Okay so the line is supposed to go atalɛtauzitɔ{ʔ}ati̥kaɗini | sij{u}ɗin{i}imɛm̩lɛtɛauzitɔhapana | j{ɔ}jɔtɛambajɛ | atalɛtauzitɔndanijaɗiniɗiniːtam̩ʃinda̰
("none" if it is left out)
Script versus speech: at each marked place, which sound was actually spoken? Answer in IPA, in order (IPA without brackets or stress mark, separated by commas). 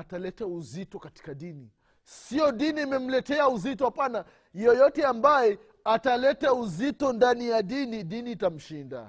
k, ɔ, i, ɔ